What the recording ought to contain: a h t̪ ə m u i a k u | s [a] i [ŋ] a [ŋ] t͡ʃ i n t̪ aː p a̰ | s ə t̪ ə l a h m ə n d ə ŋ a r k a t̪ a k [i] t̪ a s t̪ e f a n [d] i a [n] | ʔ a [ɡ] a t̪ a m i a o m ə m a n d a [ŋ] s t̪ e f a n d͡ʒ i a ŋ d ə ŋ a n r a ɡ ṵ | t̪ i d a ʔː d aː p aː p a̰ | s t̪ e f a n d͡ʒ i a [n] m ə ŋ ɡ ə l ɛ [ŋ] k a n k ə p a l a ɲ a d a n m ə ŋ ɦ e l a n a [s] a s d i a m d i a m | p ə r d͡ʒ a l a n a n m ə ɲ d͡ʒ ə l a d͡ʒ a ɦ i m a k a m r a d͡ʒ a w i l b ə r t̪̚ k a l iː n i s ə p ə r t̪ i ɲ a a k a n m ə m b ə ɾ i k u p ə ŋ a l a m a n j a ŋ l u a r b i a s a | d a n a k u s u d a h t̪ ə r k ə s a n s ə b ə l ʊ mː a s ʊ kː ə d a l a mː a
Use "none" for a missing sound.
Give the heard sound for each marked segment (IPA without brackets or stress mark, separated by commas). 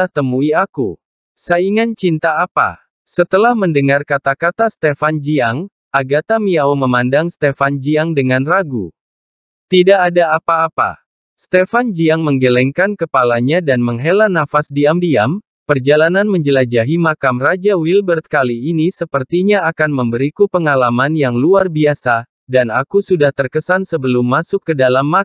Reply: a, ŋ, n, a, d͡ʒ, ŋ, ɡ, ŋ, ŋ, ŋ, f